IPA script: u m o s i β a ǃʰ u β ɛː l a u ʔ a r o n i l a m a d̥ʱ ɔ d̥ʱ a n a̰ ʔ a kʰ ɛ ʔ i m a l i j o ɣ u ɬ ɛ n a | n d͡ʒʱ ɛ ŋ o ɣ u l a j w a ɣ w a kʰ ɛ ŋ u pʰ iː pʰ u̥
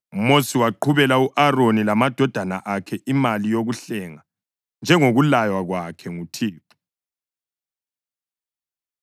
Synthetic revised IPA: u m o s i w a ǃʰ u β ɛ l a u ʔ a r o n i l a m a d̥ʱ ɔ d̥ʱ a n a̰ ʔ a kʰ ɛ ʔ i m a l i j o ɣ u ɬ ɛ ŋ a | n d͡ʒʱ ɛ ŋ o ɣ u l a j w a ɣ w a kʰ ɛ ŋ u tʰ iː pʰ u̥